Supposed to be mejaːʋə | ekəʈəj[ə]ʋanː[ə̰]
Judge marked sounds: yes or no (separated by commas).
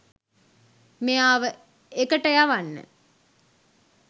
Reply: no, yes